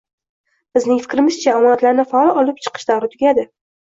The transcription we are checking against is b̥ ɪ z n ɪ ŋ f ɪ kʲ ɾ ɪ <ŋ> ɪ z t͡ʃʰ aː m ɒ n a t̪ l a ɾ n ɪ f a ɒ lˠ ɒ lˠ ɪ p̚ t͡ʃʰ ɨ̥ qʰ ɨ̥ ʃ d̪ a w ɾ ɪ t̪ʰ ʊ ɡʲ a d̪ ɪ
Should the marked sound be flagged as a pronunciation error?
yes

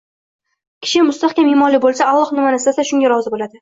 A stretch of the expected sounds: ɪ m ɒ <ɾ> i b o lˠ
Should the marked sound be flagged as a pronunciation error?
yes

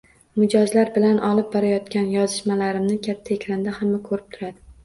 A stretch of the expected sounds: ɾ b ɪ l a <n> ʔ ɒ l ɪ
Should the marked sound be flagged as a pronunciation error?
no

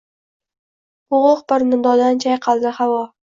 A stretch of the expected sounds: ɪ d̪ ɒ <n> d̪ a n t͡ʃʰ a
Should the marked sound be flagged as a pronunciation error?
yes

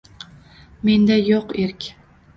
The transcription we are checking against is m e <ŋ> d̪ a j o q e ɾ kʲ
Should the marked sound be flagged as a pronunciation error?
yes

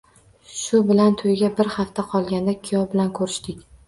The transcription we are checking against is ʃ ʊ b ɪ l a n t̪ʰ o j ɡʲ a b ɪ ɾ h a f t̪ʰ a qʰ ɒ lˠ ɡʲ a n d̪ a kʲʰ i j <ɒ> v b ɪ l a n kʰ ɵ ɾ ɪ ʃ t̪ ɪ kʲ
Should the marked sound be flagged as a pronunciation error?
no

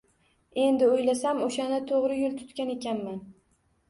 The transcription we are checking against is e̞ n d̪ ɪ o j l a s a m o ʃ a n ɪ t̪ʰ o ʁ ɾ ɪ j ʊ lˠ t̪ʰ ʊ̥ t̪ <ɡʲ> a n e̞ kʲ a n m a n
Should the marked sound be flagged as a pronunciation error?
yes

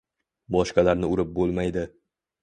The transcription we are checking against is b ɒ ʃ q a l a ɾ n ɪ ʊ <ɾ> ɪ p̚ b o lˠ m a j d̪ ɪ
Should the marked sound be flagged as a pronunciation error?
no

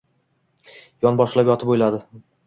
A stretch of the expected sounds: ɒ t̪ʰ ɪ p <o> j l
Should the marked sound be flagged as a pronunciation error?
no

